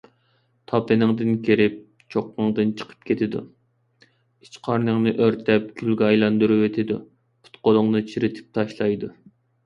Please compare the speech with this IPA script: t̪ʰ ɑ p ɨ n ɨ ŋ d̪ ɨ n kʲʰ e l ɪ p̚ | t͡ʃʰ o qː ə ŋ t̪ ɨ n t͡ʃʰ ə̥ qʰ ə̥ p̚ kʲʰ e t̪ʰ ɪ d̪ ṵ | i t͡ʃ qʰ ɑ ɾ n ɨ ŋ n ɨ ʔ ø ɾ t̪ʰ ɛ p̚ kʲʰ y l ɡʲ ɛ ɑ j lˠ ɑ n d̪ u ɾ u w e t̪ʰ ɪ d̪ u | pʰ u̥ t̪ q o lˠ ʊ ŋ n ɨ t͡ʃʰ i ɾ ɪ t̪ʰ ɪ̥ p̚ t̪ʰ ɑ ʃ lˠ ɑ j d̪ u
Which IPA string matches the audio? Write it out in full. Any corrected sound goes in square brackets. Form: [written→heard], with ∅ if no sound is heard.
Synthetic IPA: t̪ʰ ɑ p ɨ n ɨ ŋ d̪ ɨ n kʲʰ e [l→ɾ] ɪ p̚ | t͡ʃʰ o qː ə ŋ [t̪→d̪] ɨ n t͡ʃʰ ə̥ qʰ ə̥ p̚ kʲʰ e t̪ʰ ɪ d̪ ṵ | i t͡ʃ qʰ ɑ ɾ n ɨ ŋ n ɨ ʔ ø ɾ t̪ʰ ɛ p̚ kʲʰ y l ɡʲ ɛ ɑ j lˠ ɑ n d̪ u ɾ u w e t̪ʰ ɪ d̪ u | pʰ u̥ t̪ q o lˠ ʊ ŋ n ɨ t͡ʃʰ i ɾ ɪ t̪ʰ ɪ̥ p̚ t̪ʰ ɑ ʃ lˠ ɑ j d̪ u

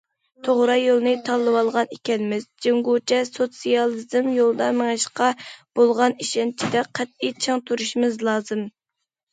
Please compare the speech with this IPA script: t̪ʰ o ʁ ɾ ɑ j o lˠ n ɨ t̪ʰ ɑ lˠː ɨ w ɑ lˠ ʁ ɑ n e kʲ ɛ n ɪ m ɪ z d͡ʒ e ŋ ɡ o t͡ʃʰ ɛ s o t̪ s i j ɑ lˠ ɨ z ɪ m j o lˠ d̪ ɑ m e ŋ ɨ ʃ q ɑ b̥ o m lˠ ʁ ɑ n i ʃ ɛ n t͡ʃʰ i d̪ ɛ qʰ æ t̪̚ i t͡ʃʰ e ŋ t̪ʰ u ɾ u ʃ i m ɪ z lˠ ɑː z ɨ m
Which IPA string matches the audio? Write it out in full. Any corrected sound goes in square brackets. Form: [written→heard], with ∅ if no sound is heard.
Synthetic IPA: t̪ʰ o ʁ ɾ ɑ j o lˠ n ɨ t̪ʰ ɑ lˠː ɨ w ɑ lˠ ʁ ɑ n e kʲ ɛ n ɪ m ɪ z d͡ʒ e ŋ ɡ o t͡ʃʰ ɛ s o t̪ s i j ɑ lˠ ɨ z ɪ m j o lˠ d̪ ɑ m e ŋ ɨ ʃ q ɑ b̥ o [m→∅] lˠ ʁ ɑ n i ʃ ɛ n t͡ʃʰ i d̪ ɛ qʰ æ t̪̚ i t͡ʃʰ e ŋ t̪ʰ u ɾ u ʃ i m ɪ z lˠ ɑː z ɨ m

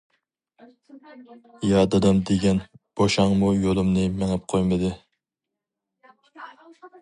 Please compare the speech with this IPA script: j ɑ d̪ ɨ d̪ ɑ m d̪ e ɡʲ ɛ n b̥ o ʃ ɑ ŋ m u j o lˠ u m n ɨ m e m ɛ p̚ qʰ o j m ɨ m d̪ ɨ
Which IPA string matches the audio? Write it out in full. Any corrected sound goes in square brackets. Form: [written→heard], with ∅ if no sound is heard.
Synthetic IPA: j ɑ d̪ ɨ d̪ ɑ m d̪ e ɡʲ ɛ n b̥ o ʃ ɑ ŋ m u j o lˠ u m n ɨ m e [m→ŋ] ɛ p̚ qʰ o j m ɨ [m→∅] d̪ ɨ

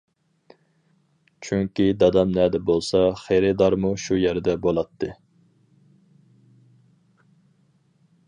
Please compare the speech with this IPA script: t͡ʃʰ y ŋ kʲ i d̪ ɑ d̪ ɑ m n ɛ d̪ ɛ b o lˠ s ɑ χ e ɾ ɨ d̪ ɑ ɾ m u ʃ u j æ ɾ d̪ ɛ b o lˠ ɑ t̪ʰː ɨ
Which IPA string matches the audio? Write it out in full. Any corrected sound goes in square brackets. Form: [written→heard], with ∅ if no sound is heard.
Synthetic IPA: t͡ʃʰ y ŋ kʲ i d̪ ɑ d̪ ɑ m n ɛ d̪ ɛ b o lˠ s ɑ χ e ɾ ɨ d̪ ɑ ɾ m u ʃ u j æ ɾ d̪ ɛ b o lˠ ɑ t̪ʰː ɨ

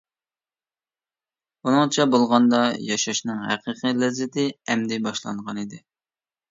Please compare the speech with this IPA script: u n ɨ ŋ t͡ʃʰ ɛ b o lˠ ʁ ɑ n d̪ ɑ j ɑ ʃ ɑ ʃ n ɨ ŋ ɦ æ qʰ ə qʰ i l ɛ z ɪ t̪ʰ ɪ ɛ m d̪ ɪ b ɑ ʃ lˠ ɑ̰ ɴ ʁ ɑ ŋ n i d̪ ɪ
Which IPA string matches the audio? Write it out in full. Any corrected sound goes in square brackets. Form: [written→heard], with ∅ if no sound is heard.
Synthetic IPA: u n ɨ ŋ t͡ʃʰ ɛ b o lˠ ʁ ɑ n d̪ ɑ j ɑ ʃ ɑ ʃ n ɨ ŋ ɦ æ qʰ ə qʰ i l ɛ z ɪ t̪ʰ ɪ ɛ m d̪ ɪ b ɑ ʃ lˠ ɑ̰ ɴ ʁ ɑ [ŋ→∅] n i d̪ ɪ

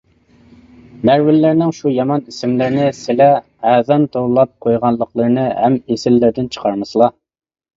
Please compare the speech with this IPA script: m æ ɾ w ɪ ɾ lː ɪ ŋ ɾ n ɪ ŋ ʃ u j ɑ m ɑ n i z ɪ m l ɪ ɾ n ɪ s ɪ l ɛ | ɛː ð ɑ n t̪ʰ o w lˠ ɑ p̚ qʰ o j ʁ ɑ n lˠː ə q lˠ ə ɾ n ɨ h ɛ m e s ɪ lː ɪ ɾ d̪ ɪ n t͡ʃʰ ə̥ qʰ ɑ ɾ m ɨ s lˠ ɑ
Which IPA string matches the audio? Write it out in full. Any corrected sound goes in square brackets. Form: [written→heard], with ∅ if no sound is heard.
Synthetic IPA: m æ ɾ w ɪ [ɾ→∅] lː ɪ [ŋ→∅] ɾ n ɪ ŋ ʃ u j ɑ m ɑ n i [z→s] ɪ m l ɪ ɾ n ɪ s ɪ l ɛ | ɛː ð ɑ n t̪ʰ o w lˠ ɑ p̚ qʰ o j ʁ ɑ n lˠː ə q lˠ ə ɾ n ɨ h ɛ m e s ɪ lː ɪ ɾ d̪ ɪ n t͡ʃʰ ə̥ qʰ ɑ ɾ m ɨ s lˠ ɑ

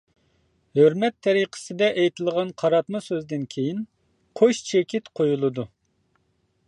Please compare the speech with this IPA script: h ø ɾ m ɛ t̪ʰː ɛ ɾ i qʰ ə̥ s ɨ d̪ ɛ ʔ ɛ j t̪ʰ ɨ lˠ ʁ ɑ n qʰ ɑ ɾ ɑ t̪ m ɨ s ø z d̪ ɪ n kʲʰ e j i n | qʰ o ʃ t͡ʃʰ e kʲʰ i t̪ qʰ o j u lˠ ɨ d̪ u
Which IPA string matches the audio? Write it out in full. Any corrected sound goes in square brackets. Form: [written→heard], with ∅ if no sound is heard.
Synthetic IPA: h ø ɾ m ɛ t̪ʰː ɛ ɾ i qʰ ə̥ s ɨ d̪ ɛ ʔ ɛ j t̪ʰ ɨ lˠ ʁ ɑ n qʰ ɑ ɾ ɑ t̪ m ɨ s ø z d̪ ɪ n kʲʰ e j i n | qʰ o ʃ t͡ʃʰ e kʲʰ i t̪ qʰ o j u lˠ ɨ d̪ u

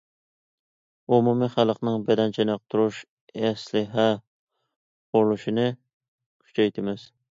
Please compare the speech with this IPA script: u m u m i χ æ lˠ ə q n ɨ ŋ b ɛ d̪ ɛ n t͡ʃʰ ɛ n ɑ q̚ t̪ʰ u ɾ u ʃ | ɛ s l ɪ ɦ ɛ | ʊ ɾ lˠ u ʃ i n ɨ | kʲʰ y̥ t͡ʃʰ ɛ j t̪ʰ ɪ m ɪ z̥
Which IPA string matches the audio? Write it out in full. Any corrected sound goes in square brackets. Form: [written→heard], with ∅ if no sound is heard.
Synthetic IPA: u m u m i χ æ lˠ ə q n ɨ ŋ b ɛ d̪ ɛ n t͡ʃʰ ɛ n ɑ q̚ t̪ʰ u ɾ u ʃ | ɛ s l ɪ ɦ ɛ | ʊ ɾ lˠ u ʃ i n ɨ | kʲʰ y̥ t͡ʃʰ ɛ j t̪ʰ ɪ m ɪ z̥

